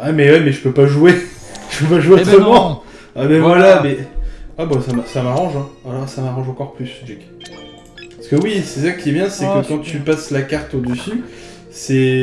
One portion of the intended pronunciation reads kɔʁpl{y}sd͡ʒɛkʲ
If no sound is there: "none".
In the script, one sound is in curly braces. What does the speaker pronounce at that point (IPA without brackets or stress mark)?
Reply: y